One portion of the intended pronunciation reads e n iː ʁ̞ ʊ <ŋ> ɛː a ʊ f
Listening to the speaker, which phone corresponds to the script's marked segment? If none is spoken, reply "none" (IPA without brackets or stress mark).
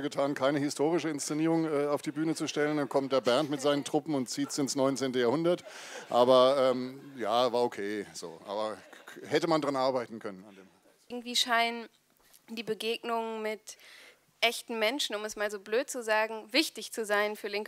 ŋ